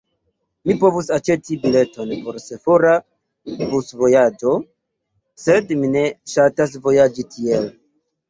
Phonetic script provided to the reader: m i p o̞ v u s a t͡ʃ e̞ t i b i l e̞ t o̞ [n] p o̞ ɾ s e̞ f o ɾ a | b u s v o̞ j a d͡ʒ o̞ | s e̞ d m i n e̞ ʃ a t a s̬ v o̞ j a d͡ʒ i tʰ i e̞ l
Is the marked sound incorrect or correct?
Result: correct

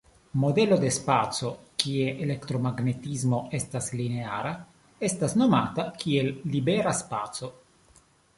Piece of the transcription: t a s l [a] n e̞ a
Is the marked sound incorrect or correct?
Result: incorrect: i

